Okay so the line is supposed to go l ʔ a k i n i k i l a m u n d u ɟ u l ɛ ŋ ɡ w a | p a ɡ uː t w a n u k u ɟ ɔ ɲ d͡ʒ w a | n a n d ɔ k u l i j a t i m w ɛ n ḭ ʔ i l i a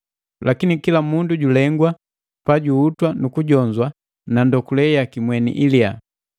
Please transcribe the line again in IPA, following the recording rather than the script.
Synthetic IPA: l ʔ a k i n i k i l a m u n d u ɟ u l ɛ ŋ ɡ w a | p a ɟ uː t w a n u k u ɟ ɔ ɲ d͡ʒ w a | n a n d ɔ k u l ɛ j a k i m w ɛ n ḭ ʔ i l i a